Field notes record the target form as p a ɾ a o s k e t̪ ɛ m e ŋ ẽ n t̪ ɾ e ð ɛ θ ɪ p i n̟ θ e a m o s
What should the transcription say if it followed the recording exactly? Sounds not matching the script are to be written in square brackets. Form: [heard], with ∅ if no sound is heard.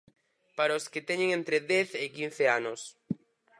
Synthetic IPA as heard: p a ɾ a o s k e t̪ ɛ [ɲ] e ŋ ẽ n t̪ ɾ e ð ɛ θ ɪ [k] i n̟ θ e a [n] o s